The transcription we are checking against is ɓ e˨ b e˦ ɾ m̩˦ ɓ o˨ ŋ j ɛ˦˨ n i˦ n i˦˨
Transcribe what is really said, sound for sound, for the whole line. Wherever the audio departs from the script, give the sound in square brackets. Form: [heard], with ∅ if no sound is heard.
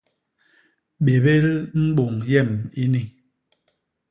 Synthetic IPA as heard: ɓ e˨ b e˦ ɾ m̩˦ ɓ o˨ ŋ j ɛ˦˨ [m] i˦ n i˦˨